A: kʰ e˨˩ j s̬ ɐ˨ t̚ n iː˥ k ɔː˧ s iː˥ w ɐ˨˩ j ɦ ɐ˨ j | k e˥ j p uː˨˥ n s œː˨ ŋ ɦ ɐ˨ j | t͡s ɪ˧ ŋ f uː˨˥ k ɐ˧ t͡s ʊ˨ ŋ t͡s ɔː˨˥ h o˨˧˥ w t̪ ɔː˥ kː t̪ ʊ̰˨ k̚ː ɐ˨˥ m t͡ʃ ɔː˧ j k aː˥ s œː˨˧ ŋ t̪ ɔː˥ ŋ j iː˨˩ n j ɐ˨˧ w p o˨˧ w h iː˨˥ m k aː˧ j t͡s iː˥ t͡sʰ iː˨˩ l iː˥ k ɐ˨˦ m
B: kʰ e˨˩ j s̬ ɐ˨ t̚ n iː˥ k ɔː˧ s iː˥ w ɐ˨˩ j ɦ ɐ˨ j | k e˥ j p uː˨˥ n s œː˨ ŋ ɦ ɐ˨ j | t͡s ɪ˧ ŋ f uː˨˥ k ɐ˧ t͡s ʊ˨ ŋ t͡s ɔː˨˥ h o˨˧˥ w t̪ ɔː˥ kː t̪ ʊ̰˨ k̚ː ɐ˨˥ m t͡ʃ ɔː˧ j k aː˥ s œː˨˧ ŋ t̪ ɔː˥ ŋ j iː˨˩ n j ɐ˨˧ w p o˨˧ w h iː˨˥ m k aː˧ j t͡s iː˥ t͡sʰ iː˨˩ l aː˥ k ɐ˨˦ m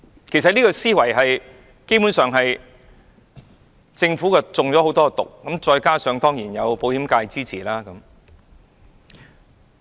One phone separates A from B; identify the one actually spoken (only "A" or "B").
B